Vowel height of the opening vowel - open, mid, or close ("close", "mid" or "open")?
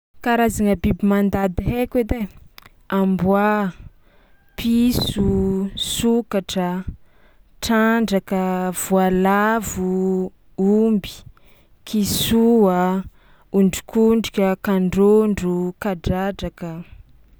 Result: open